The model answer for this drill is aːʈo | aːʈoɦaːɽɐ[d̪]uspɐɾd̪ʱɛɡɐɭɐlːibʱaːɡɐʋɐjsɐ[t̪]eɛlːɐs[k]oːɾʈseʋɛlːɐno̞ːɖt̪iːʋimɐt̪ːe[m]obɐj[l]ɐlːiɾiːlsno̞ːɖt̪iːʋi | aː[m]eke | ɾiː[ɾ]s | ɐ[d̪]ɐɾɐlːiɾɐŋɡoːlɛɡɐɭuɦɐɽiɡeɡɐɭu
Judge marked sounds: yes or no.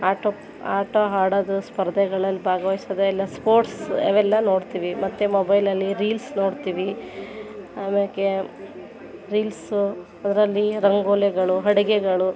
yes, no, no, yes, yes, yes, no, yes

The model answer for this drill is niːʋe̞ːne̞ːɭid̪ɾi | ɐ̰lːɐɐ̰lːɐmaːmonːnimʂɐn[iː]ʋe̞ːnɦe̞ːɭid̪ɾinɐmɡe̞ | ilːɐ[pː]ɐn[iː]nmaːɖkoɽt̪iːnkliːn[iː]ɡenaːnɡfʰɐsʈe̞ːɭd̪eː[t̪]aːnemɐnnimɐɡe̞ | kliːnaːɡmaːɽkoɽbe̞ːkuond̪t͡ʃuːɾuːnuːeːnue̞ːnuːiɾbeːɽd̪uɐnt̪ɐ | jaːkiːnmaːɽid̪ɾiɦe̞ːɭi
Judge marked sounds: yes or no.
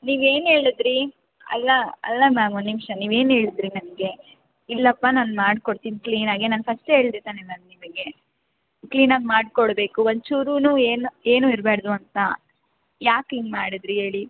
yes, yes, no, no, yes

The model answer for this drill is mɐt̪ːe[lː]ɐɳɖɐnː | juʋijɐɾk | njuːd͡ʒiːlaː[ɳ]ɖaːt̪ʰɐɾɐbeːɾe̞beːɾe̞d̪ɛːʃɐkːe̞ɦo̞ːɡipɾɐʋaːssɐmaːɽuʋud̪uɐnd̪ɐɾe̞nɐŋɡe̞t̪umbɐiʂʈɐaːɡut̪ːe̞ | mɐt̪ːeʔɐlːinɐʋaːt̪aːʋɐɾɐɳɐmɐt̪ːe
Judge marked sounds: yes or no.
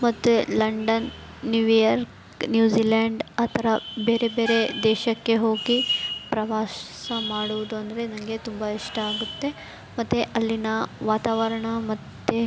no, yes

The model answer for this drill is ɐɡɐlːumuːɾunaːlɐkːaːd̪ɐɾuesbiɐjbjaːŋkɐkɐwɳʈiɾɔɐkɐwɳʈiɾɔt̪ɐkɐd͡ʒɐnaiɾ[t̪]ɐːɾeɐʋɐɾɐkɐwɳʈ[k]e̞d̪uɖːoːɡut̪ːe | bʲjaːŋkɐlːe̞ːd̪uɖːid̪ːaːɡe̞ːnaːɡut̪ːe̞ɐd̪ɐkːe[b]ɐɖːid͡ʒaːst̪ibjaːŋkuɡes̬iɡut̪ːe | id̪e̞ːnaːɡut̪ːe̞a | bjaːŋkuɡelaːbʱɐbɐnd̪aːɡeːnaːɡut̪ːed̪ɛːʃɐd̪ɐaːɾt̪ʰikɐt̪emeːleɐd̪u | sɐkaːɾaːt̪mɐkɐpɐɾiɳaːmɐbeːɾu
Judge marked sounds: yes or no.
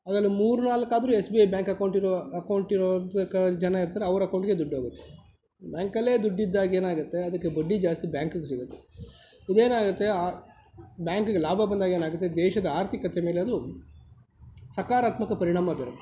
yes, no, yes

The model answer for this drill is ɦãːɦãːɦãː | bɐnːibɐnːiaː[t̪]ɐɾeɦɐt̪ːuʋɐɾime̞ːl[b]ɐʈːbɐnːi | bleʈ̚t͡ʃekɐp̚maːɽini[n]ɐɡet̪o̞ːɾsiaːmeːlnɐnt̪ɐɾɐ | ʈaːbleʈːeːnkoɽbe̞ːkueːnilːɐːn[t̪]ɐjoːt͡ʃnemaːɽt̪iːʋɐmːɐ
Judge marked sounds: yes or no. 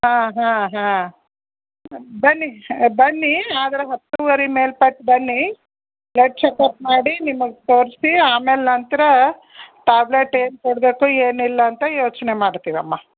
no, no, no, yes

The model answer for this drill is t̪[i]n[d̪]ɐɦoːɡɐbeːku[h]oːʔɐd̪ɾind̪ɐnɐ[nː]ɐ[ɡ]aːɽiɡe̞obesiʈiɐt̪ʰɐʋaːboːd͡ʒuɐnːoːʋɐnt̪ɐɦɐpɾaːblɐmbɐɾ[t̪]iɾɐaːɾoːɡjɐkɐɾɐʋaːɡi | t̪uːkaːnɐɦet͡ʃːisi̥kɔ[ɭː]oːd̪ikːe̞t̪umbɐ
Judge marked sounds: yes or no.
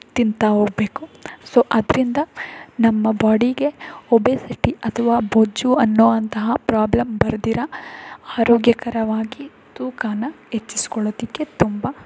yes, no, no, no, no, no, no

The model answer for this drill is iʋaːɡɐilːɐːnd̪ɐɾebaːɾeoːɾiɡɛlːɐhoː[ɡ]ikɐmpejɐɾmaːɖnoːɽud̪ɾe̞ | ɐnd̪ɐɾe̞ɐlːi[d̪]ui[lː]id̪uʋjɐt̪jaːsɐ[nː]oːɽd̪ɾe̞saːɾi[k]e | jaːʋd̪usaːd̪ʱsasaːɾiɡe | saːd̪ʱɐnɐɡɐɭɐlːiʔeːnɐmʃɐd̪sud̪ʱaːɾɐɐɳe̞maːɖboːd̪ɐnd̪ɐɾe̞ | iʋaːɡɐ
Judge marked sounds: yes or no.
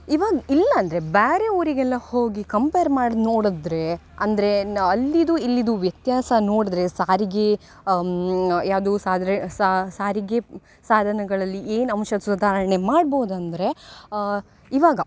yes, yes, yes, no, no

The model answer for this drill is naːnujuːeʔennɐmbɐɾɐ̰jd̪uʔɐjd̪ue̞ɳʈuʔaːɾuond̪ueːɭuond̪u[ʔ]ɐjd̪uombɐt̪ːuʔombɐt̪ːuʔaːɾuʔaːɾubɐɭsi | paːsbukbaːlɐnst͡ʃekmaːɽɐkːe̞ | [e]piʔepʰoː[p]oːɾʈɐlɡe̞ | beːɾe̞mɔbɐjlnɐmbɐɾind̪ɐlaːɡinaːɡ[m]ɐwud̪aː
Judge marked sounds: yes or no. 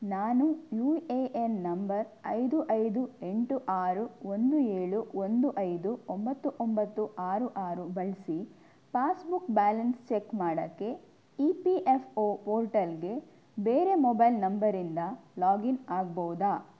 yes, no, yes, no

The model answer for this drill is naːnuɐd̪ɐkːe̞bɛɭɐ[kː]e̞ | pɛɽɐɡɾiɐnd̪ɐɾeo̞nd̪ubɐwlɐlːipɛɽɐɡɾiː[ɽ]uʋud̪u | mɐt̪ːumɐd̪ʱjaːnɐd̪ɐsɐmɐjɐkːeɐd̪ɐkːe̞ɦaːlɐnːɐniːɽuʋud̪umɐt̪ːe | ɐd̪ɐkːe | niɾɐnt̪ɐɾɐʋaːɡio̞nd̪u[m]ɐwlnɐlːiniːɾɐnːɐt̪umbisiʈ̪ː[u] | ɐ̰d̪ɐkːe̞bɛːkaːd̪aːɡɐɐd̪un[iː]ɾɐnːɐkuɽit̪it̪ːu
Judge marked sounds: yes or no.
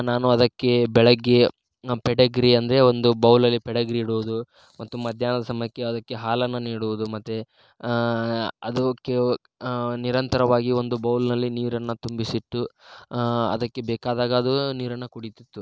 no, yes, no, yes, yes

